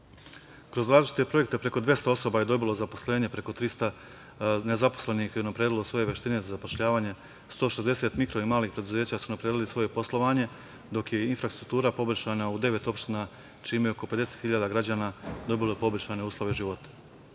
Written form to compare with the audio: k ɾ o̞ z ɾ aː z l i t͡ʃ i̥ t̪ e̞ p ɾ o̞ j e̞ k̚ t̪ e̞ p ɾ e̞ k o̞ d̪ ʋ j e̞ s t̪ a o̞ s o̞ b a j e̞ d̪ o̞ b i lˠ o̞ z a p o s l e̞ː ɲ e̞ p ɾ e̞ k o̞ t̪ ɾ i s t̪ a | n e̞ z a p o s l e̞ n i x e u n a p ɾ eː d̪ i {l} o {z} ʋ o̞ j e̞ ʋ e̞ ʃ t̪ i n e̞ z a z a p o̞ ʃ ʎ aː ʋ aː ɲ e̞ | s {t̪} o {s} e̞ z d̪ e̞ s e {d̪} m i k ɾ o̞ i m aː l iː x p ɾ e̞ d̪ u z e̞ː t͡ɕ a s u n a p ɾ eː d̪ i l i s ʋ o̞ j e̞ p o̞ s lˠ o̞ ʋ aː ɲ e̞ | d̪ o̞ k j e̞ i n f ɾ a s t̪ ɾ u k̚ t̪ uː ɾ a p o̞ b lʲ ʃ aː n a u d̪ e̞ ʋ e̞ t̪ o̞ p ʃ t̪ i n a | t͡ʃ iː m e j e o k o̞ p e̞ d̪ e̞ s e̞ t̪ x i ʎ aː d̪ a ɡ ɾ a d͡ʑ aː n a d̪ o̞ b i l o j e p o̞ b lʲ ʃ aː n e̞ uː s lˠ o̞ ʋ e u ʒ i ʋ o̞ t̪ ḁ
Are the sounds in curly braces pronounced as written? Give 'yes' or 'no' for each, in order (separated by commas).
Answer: yes, no, yes, no, no